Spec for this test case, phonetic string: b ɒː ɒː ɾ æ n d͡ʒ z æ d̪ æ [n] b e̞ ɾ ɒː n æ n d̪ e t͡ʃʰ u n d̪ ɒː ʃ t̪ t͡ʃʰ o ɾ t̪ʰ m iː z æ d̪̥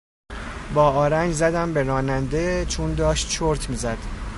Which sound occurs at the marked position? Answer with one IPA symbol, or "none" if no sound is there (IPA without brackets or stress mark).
m